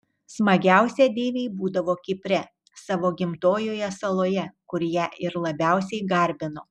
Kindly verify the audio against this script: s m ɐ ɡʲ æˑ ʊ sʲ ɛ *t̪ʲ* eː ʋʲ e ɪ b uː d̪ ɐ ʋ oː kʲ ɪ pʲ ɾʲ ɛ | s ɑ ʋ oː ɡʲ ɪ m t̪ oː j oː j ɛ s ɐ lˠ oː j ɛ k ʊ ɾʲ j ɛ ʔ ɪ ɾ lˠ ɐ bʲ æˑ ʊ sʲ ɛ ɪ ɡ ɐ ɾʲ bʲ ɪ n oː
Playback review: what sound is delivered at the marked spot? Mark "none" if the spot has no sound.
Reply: d̪ʲ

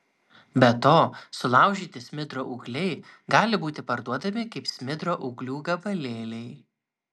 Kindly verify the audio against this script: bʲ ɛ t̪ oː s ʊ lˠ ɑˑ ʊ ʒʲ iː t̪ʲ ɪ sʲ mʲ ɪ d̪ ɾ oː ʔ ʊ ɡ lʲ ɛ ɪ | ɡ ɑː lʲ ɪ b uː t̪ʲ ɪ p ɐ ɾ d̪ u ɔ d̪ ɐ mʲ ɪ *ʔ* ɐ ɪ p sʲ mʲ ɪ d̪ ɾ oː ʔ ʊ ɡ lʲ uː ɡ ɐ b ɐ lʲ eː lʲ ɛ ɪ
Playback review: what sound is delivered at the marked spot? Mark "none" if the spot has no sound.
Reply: k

